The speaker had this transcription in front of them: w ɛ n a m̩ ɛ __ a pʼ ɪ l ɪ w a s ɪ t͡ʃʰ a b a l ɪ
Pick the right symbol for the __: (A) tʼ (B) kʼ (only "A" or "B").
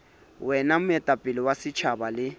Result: A